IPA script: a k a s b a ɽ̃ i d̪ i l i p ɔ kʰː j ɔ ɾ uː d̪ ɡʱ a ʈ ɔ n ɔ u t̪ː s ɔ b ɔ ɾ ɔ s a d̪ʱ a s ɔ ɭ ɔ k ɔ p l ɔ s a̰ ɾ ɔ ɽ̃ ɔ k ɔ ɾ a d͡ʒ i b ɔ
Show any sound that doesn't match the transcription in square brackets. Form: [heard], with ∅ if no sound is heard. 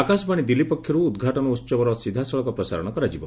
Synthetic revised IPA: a k a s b a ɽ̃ i d̪ i l i p ɔ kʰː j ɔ ɾ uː d̪ ɡʱ a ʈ ɔ n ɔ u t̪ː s ɔ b ɔ ɾ ɔ s [i] d̪ʱ a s ɔ ɭ ɔ k ɔ p [ɾ] ɔ s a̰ ɾ ɔ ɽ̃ ɔ k ɔ ɾ a d͡ʒ i b ɔ